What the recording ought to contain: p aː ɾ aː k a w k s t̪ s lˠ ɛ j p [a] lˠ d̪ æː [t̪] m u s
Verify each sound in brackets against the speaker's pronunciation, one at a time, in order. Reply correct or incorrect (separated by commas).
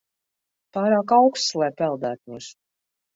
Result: incorrect, correct